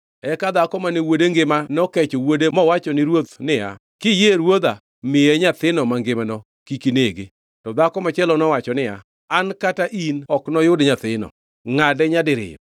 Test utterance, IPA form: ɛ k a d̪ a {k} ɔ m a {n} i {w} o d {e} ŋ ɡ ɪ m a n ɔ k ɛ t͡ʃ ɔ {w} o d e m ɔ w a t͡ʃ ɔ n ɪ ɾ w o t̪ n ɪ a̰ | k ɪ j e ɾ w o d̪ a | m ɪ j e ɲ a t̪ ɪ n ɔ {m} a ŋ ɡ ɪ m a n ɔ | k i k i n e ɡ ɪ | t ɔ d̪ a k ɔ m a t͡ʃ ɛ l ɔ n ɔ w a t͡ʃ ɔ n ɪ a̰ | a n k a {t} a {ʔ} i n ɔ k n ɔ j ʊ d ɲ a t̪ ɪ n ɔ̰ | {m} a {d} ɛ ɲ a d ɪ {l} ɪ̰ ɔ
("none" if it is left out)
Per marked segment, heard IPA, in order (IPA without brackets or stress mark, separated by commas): k, n, w, e, w, m, t, ʔ, ŋ, d, ɾ